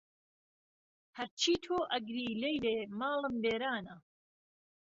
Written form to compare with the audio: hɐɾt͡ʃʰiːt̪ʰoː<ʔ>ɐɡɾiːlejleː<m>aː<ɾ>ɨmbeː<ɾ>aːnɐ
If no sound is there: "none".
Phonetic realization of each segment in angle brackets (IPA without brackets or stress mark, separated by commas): ʔ, m, l, ɾ